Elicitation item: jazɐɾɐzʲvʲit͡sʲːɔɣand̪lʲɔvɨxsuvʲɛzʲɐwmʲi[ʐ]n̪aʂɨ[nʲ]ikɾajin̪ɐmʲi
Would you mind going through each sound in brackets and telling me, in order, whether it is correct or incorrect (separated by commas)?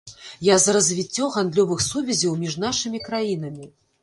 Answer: correct, incorrect